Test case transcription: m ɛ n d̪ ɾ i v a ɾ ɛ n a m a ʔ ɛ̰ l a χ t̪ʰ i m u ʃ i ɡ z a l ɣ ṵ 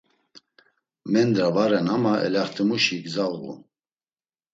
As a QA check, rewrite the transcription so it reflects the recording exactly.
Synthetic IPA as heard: m ɛ n d̪ ɾ a v a ɾ ɛ n a m a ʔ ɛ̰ l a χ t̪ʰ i m u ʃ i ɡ z a l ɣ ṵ